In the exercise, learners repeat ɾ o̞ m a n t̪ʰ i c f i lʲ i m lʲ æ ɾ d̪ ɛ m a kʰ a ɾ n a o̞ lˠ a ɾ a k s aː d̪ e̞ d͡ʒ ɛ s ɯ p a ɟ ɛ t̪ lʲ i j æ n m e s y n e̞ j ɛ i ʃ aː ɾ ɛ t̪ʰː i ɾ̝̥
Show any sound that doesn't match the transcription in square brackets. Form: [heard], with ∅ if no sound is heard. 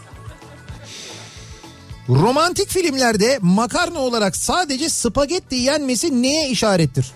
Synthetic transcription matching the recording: ɾ o̞ m a n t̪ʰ i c f i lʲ i m lʲ æ ɾ d̪ ɛ m a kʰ a ɾ n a o̞ lˠ a ɾ a k s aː d̪ e̞ d͡ʒ ɛ s ɯ p a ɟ ɛ t̪ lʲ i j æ n m e s [i] n e̞ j ɛ i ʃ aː ɾ ɛ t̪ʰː i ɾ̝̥